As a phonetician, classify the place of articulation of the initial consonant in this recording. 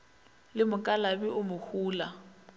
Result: alveolar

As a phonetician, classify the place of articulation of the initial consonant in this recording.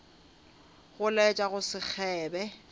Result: velar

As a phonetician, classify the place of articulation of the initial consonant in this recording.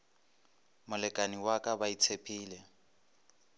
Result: labial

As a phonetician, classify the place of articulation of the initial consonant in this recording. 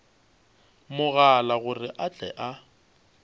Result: labial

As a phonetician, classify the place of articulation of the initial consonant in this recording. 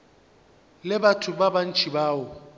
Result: alveolar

